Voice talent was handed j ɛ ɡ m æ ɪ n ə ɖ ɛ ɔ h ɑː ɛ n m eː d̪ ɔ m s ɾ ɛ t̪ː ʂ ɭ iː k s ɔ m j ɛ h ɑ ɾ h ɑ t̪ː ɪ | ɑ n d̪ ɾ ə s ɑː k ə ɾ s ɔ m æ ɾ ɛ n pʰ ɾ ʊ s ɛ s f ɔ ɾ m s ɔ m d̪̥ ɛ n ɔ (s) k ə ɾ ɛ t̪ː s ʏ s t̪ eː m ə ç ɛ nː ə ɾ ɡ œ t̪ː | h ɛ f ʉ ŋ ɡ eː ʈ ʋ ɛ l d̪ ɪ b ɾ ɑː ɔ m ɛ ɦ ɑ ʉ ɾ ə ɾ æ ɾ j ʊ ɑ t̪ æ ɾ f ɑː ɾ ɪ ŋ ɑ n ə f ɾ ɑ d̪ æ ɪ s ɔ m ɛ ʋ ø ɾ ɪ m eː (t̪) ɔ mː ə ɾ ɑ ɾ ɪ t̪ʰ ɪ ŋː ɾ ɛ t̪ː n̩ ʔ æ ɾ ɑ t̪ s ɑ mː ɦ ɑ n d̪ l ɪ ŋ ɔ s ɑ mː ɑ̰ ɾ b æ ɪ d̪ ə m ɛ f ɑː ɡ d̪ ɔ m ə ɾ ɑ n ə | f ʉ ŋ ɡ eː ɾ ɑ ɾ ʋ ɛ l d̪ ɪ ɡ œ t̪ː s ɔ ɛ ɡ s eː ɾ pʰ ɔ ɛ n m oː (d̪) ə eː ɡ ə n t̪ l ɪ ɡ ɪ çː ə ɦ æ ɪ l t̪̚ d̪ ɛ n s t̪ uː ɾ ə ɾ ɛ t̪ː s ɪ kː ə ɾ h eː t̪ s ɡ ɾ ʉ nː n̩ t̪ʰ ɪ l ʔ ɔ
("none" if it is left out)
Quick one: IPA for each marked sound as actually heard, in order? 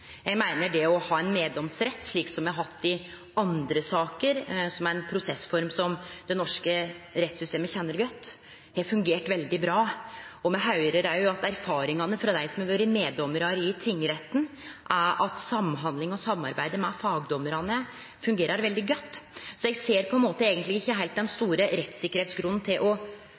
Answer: ʂ, d̪, t̪

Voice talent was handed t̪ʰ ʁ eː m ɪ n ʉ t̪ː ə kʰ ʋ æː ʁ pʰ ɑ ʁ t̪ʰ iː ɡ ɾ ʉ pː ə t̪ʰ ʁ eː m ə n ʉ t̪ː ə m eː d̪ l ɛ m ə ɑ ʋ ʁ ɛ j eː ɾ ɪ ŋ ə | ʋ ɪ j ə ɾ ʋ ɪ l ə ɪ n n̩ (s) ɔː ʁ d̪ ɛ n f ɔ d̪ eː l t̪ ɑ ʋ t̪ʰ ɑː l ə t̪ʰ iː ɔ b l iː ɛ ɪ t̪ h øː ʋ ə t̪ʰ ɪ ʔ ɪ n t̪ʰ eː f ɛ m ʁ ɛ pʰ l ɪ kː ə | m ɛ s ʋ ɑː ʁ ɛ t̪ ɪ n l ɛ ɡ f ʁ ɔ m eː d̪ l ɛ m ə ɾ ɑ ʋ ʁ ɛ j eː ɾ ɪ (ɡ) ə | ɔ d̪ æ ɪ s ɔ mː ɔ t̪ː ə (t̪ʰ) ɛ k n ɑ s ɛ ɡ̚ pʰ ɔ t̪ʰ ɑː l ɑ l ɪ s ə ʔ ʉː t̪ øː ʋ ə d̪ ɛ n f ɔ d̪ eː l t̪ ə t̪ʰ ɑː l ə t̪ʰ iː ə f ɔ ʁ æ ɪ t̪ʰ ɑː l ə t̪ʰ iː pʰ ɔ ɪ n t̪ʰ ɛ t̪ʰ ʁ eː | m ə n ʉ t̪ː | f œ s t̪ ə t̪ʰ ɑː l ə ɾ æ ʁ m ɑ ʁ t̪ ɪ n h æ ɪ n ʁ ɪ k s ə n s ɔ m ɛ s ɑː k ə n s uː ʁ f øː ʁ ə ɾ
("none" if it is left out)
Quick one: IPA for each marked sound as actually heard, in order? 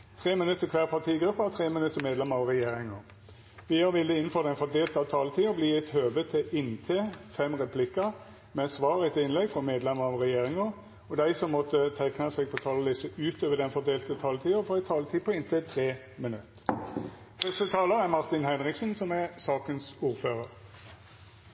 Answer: f, ŋ, t̪ʰ

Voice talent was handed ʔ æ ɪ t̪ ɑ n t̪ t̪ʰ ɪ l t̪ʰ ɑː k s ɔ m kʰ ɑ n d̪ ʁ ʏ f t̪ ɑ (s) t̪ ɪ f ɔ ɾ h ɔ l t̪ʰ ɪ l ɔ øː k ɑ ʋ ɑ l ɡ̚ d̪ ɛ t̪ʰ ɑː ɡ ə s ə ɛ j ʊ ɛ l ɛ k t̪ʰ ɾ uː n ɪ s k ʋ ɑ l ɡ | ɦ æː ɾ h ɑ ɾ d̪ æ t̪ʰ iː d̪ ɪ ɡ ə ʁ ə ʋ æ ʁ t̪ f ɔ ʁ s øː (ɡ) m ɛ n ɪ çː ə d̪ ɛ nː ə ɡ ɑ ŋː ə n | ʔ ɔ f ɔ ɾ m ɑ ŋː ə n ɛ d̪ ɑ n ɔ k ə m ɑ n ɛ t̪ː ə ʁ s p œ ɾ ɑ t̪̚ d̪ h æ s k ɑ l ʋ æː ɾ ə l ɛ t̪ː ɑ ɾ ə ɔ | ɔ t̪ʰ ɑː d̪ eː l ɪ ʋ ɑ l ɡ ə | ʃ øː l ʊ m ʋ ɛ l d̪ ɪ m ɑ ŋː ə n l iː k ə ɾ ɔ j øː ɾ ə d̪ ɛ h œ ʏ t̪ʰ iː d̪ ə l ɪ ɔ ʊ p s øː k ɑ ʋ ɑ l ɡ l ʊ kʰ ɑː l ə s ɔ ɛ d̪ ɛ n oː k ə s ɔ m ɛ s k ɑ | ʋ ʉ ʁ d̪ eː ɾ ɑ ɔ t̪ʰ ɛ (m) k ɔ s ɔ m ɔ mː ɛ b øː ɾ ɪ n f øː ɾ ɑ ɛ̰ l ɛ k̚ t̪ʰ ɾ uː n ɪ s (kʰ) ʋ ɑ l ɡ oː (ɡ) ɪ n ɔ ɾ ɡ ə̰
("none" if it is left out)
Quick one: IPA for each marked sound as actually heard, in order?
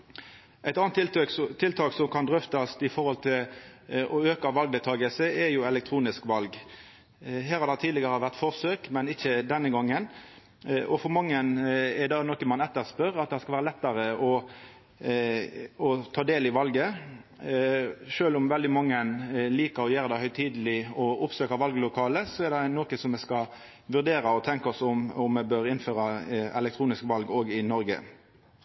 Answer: s, k, ŋ, k, ɡ

